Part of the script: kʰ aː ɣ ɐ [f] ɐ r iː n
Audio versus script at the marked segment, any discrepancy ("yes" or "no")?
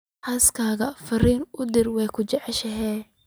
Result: no